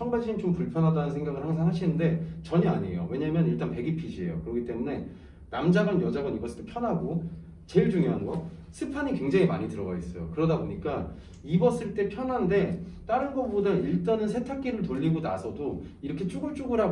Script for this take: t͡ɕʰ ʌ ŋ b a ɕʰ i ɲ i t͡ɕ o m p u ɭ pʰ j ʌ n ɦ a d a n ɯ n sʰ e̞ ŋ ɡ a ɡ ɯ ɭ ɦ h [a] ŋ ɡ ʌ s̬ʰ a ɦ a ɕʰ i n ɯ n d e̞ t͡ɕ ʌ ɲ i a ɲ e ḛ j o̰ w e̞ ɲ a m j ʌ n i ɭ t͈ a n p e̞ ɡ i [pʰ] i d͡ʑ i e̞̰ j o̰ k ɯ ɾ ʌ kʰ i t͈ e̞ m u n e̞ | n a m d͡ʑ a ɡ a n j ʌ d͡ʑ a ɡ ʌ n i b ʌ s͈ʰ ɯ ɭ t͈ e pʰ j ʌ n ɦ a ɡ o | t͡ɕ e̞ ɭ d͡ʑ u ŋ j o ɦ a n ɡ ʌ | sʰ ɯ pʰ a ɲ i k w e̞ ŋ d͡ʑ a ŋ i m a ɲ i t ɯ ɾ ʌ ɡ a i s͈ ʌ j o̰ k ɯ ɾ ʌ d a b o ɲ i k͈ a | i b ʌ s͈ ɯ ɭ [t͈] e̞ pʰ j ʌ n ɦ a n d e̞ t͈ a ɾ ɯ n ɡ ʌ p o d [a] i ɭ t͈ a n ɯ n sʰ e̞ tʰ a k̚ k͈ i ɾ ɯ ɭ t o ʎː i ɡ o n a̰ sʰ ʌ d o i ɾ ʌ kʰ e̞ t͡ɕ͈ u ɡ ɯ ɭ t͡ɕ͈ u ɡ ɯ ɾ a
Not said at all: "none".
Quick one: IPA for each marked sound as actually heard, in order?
a, pʰ, t͈, a

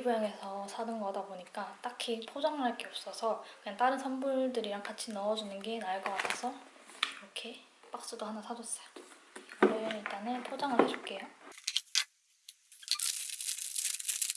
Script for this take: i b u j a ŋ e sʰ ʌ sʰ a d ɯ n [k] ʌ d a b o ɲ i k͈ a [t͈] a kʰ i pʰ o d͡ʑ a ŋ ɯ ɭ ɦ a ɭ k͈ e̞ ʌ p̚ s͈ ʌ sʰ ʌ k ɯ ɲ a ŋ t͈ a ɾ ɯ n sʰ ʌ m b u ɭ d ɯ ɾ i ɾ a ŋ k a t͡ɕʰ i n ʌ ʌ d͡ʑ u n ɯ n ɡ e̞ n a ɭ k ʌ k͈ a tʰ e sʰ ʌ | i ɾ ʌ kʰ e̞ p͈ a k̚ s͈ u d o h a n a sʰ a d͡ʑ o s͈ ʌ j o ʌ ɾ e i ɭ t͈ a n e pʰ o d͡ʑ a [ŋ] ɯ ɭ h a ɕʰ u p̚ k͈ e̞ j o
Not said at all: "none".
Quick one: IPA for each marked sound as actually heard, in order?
ɡ, t͈, ŋ

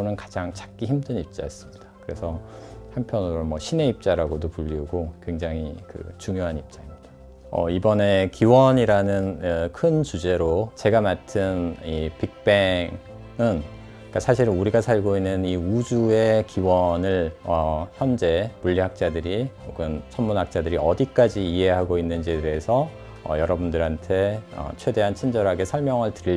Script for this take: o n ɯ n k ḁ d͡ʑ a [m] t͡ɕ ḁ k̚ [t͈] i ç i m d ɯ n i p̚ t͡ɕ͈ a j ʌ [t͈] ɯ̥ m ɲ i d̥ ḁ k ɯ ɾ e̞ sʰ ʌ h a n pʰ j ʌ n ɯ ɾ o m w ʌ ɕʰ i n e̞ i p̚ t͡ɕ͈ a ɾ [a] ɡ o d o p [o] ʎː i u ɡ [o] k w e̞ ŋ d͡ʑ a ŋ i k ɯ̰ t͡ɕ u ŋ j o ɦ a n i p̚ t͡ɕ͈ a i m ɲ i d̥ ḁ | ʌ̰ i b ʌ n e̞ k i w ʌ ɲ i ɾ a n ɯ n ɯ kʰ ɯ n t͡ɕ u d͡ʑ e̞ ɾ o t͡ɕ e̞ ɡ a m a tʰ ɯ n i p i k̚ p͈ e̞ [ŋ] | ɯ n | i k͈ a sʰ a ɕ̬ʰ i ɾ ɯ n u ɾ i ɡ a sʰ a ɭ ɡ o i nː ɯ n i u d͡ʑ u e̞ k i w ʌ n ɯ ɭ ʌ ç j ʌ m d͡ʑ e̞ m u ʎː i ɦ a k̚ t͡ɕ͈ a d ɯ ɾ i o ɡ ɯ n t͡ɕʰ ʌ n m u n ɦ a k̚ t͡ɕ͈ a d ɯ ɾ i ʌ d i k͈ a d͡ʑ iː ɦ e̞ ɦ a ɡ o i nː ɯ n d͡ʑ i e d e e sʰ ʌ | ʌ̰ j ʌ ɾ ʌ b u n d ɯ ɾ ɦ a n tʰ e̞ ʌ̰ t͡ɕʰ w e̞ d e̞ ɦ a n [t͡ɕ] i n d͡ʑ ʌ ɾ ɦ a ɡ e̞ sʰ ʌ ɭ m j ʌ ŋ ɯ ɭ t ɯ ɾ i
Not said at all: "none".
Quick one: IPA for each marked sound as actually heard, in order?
ŋ, k͈, s͈, a, u, o, ŋ, t͡ɕʰ

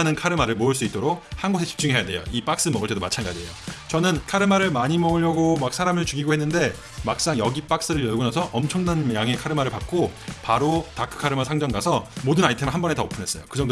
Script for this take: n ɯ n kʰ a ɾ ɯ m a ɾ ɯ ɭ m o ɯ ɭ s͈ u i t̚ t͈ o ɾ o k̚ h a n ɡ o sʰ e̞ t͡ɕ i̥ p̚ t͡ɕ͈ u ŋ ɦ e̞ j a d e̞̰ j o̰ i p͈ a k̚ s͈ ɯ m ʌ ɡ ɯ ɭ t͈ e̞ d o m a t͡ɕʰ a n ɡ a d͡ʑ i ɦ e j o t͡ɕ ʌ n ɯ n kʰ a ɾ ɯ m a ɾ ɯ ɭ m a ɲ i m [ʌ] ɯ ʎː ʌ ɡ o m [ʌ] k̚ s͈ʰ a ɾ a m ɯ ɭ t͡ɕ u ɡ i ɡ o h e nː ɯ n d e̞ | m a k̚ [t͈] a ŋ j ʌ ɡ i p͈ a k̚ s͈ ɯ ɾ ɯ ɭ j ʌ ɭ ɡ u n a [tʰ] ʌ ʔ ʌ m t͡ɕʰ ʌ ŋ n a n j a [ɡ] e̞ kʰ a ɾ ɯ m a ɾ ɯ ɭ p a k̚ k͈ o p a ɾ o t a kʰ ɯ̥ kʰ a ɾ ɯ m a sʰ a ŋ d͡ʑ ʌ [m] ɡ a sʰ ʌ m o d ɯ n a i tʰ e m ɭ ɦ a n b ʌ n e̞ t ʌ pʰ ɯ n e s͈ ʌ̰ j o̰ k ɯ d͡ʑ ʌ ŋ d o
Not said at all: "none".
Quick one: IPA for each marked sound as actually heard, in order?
ʌ, a, s͈, sʰ, ŋ, ŋ

